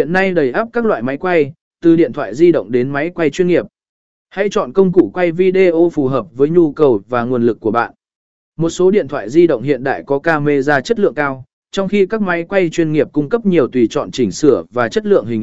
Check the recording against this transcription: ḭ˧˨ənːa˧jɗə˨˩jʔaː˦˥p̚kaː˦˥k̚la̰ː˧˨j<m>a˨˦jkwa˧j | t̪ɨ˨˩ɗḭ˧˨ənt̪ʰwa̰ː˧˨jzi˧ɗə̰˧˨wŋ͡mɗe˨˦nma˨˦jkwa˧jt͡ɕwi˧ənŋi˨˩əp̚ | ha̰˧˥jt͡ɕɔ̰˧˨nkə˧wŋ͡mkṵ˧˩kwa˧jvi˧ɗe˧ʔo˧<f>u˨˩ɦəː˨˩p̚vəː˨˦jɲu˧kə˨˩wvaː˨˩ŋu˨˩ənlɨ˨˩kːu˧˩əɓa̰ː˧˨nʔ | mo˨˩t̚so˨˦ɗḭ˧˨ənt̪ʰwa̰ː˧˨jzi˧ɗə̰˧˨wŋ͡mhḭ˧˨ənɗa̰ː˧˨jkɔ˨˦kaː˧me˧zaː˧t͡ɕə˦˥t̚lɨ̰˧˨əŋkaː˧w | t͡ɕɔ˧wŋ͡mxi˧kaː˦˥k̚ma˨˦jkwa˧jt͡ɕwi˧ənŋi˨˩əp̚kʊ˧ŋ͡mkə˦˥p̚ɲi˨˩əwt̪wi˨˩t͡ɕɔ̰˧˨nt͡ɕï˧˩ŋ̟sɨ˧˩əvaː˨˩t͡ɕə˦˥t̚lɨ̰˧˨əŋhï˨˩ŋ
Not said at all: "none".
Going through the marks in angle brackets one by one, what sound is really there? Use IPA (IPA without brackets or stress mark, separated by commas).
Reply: m, f